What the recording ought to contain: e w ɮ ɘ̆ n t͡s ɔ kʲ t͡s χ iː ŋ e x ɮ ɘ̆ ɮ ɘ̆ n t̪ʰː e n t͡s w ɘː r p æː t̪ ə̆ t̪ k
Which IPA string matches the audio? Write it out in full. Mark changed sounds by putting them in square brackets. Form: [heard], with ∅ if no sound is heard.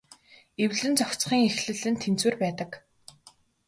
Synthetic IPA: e w ɮ ɘ̆ n t͡s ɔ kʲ t͡s χ iː ŋ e x ɮ ɘ̆ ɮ ɘ̆ n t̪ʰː e n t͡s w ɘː r p æː t̪ ə̆ [∅] k